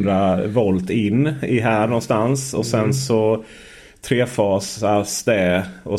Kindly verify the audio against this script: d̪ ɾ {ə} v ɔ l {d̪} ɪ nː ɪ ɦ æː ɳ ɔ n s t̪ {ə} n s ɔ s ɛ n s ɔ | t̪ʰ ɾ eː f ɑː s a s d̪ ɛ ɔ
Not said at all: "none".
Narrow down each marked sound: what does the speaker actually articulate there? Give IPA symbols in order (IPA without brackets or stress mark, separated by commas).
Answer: a, t̪, a